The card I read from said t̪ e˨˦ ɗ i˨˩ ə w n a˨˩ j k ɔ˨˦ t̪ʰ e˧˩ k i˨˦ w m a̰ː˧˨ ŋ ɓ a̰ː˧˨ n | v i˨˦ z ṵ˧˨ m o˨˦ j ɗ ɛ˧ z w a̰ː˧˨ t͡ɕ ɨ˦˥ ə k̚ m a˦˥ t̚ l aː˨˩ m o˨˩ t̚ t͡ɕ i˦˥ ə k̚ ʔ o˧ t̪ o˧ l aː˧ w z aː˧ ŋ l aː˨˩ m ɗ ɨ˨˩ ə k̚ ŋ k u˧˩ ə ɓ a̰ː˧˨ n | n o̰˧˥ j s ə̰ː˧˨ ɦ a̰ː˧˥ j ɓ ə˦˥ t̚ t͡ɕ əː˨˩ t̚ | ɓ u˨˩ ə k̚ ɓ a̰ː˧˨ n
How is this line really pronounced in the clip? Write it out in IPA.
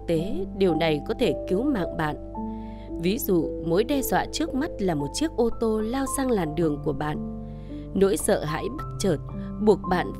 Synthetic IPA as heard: t̪ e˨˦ ɗ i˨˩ ə w n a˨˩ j k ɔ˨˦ t̪ʰ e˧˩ k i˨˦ w m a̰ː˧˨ ŋ ɓ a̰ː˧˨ n | v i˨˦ z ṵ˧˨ m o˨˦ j ɗ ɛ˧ z w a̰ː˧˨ t͡ɕ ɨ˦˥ ə k̚ m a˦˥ t̚ l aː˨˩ m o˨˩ t̚ t͡ɕ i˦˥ ə k̚ ʔ o˧ t̪ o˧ l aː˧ w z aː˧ ŋ l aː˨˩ m ɗ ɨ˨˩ ə ŋ k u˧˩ ə ɓ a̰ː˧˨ n | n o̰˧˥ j s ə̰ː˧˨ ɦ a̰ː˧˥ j ɓ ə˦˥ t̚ t͡ɕ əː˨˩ t̚ | ɓ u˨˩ ə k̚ ɓ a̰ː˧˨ n